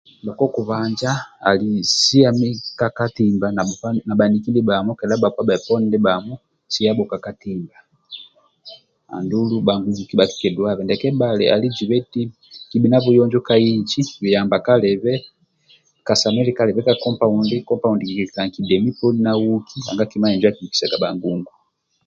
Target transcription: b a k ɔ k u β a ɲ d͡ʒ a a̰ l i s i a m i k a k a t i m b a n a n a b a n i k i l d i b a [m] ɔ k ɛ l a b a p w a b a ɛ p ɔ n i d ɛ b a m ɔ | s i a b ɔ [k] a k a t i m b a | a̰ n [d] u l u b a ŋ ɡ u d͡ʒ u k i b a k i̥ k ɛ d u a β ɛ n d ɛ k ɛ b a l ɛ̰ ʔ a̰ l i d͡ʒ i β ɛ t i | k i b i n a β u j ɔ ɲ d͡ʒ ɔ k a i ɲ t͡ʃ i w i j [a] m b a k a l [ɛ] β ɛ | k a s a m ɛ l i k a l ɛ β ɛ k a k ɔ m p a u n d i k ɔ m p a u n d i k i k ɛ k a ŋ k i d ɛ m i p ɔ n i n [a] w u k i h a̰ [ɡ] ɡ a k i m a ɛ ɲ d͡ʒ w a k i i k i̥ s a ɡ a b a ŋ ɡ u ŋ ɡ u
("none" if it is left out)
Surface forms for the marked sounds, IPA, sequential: m, k, d, a, ɛ, a, ŋ

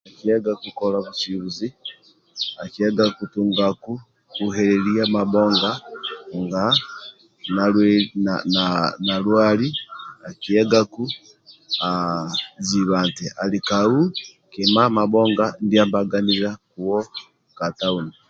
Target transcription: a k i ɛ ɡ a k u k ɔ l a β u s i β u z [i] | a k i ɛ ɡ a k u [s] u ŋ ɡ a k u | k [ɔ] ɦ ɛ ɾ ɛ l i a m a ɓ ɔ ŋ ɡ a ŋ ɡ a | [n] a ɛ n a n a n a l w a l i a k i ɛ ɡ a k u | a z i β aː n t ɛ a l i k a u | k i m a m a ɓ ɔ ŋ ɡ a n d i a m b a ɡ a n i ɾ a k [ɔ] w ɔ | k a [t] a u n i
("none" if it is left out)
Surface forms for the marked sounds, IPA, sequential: i, t, u, n, u, t

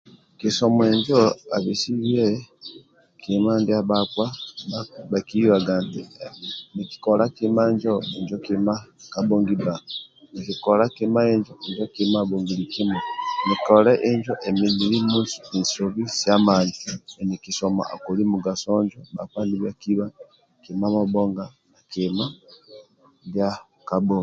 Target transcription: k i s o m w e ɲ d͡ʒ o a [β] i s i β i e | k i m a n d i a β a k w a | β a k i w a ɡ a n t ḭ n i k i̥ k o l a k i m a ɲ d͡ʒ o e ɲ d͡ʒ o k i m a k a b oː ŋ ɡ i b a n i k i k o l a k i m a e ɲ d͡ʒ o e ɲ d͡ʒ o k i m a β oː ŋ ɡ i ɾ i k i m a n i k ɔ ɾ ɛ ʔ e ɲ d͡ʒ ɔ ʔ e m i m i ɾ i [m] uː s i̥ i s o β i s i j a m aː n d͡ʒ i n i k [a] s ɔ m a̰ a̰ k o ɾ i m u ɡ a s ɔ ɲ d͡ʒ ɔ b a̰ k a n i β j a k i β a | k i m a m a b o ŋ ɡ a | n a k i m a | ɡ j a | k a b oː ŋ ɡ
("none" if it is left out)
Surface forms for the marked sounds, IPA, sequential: β, m, i

